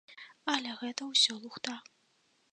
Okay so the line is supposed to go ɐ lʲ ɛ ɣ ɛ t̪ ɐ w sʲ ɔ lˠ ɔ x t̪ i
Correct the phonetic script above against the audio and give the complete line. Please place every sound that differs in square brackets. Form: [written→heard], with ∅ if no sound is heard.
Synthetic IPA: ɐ lʲ ɛ ɣ ɛ t̪ ɐ w sʲ ɔ lˠ [ɔ→u] x t̪ [i→a]